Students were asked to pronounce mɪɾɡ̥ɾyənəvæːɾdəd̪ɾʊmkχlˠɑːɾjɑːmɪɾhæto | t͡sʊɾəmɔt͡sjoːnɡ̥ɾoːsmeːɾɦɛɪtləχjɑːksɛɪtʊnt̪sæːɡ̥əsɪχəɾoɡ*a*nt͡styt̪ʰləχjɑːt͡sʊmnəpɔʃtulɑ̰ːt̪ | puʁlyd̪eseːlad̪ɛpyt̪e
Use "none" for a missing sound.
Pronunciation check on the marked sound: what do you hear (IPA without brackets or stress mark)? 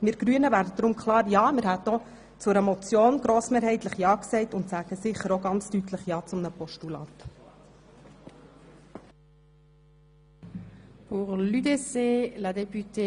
ɑ